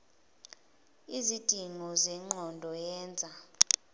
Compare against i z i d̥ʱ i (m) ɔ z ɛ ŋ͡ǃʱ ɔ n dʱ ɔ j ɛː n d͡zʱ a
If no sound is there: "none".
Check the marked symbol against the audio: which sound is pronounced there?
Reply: ŋ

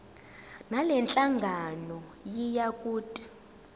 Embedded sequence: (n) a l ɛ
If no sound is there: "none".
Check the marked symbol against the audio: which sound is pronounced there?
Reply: n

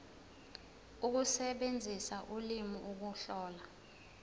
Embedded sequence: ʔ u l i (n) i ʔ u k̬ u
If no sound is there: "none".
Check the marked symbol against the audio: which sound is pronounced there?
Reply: m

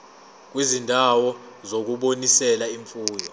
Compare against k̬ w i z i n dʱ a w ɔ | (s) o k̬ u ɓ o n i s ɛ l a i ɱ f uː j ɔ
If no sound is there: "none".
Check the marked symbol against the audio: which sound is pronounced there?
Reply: z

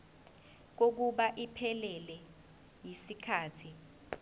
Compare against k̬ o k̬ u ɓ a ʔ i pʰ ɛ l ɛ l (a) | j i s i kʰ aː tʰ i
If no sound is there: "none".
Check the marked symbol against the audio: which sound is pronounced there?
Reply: ɛ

